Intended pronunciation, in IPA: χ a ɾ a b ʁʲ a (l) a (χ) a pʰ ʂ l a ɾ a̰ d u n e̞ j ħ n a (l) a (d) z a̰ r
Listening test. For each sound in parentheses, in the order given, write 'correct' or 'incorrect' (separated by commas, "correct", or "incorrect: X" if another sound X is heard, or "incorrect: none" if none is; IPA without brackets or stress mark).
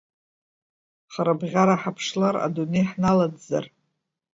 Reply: incorrect: ɾ, incorrect: ħ, correct, correct